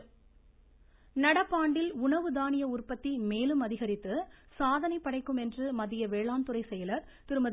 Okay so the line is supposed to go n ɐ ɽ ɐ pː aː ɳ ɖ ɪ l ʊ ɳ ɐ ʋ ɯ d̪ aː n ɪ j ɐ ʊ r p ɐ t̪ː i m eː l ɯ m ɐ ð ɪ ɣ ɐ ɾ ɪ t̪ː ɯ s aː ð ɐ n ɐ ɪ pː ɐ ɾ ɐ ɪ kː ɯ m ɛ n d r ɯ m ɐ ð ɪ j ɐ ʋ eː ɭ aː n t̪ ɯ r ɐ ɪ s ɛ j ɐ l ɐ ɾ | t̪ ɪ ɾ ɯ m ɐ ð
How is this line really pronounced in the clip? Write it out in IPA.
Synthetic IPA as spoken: n ɐ ɽ ɐ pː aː ɳ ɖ ɪ l ʊ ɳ ɐ ʋ ɯ d̪ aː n ɪ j ɐ ʊ r p ɐ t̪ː i m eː l ɯ m ɐ ð ɪ ɣ ɐ ɾ ɪ t̪ː ɯ s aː ð ɐ n ɐ ɪ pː ɐ ɽ ɐ ɪ kː ɯ m ɛ n d r ɯ m ɐ ð ɪ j ɐ ʋ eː ɭ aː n t̪ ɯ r ɐ ɪ s ɛ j ɐ l ɐ ɾ | t̪ ɪ ɾ ɯ m ɐ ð